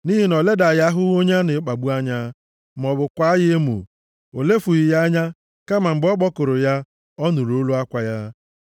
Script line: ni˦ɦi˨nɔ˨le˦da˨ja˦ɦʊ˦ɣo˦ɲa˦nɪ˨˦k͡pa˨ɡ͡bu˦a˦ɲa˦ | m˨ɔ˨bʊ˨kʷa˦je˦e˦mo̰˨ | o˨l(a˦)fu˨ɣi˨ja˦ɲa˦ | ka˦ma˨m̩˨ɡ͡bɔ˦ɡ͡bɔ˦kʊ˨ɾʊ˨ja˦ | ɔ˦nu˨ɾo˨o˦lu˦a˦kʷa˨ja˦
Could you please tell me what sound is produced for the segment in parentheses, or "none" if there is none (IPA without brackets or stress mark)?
e˦